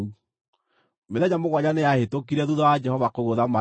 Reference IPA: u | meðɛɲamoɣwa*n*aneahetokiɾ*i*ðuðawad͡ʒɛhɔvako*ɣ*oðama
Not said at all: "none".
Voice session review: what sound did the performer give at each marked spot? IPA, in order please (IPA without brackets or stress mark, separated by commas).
ɲ, ɛ, ɣ